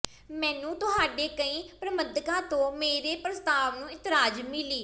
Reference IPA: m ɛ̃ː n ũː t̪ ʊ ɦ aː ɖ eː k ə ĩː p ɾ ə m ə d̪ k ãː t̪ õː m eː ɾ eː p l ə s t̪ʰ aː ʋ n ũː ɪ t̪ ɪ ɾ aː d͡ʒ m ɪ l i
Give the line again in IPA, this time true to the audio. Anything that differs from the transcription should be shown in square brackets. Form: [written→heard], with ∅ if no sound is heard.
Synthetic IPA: m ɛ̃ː n ũː t̪ ʊ ɦ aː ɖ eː k ə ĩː p ɾ ə m ə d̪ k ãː t̪ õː m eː ɾ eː p [l→ɾ] ə s [t̪ʰ→t̪] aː ʋ n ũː ɪ t̪ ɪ ɾ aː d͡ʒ m ɪ l [i→iː]

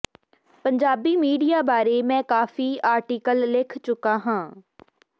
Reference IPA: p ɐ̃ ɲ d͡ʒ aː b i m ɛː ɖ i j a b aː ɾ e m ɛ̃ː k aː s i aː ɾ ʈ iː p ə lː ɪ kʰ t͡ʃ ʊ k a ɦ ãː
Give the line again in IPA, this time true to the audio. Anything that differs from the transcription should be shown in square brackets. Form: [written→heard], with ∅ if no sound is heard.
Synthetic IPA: p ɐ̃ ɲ d͡ʒ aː b i m [ɛː→iː] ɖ i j a b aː ɾ e m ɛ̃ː k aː [s→f] i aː ɾ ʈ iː [p→k] ə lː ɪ kʰ t͡ʃ ʊ k a ɦ ãː

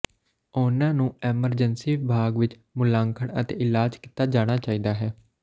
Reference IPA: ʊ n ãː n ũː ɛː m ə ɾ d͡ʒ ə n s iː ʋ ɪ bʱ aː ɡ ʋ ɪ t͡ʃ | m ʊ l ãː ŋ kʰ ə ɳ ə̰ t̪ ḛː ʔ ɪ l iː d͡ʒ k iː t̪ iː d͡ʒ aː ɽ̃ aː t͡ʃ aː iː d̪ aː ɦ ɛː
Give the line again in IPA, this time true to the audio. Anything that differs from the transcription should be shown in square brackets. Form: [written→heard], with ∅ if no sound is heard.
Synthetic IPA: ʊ n ãː n ũː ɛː m ə ɾ d͡ʒ ə n s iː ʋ ɪ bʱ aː ɡ ʋ ɪ t͡ʃ | m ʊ l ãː ŋ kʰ ə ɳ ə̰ t̪ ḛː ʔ ɪ l [iː→aː] d͡ʒ k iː t̪ [iː→aː] d͡ʒ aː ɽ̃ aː t͡ʃ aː iː d̪ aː ɦ ɛː

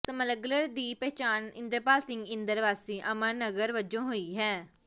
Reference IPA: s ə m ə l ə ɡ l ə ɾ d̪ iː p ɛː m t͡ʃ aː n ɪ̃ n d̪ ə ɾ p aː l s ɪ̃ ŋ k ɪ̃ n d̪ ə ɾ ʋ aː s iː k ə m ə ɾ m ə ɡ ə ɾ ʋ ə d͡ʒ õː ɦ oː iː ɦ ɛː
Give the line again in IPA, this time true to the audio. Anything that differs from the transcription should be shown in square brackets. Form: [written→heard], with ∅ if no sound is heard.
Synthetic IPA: s ə m ə l ə ɡ l ə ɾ d̪ iː p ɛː [m→∅] t͡ʃ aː n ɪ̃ n d̪ ə ɾ p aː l s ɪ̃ ŋ [k→ɡ] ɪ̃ n d̪ ə ɾ ʋ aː s iː [k→ʔ] ə m ə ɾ [m→n] ə ɡ ə ɾ ʋ ə d͡ʒ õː ɦ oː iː ɦ ɛː

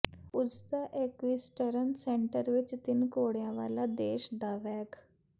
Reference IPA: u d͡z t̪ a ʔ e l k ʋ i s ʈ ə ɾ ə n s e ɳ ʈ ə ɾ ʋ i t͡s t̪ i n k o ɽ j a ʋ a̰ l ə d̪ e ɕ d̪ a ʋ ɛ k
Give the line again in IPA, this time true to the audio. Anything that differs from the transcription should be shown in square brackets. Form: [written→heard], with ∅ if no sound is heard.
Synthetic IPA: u d͡z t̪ a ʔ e [l→∅] k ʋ i s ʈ ə ɾ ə n s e ɳ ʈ ə ɾ ʋ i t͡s t̪ i n k o ɽ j a ʋ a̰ l [ə→a] d̪ e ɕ d̪ a ʋ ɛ k

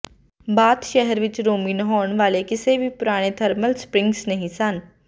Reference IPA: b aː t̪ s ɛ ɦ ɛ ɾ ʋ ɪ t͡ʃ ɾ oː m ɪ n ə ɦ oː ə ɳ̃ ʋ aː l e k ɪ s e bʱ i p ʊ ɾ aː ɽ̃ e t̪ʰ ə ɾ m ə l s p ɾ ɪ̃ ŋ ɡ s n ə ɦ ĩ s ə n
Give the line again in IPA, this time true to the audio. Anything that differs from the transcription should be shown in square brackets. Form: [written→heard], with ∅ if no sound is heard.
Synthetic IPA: b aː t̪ [s→ʃ] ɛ ɦ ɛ ɾ ʋ ɪ t͡ʃ ɾ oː m [ɪ→i] n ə ɦ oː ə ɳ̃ ʋ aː l e k ɪ s e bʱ i p ʊ ɾ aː ɽ̃ e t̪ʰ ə ɾ m ə l s p ɾ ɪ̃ ŋ ɡ s n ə ɦ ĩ s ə n

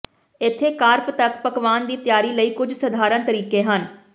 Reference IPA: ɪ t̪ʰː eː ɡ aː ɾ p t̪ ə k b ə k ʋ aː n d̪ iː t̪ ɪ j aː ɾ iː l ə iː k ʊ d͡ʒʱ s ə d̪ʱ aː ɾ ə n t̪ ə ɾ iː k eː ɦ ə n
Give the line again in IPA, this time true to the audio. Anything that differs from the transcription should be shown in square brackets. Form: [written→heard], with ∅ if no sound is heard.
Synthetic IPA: ɪ t̪ʰː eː [ɡ→k] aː ɾ p t̪ ə k [b→p] ə k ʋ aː n d̪ iː t̪ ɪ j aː ɾ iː l ə iː k ʊ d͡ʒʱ s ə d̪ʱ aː ɾ ə n t̪ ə ɾ iː k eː ɦ ə n

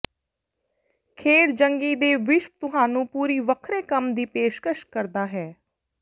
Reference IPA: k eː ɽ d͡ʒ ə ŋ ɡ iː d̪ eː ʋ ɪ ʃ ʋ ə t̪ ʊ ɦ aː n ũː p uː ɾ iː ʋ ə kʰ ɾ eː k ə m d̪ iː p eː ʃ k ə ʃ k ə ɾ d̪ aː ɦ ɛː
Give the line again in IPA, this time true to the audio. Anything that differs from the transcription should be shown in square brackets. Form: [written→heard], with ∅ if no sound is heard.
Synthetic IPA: [k→kʰ] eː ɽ d͡ʒ ə ŋ ɡ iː d̪ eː ʋ ɪ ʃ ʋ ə t̪ ʊ ɦ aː n ũː p uː ɾ iː ʋ ə kʰ ɾ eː k ə m d̪ iː p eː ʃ k ə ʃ k ə ɾ d̪ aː ɦ ɛː

